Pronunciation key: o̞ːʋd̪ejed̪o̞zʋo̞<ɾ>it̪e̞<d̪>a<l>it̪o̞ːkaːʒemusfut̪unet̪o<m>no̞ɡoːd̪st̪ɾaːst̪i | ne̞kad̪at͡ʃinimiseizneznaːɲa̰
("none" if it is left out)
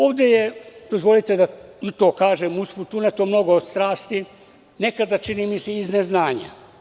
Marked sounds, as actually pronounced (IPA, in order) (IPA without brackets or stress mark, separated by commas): l, d̪, none, m